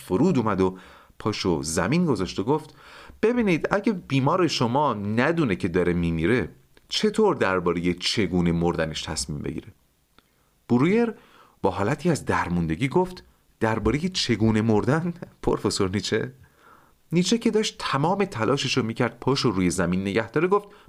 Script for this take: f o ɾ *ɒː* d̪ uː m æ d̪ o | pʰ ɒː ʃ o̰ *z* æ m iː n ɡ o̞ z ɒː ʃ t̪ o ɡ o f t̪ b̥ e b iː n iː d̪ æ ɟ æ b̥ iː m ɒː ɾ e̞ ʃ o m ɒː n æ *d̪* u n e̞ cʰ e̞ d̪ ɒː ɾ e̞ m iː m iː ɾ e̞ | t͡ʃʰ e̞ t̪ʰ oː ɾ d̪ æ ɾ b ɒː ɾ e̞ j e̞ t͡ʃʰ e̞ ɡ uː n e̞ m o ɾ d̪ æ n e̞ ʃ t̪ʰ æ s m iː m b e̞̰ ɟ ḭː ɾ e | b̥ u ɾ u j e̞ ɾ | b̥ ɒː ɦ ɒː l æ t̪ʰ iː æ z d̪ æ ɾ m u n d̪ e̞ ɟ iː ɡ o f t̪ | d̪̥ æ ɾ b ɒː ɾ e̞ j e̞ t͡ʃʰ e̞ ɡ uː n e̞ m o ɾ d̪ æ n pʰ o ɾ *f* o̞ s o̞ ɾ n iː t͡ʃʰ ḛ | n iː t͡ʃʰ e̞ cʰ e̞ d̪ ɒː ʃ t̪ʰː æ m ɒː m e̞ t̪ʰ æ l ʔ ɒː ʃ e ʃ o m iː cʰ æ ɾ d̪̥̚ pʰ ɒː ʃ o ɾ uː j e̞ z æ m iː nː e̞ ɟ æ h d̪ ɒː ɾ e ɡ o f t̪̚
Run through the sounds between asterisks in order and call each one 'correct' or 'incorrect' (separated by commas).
incorrect, correct, correct, correct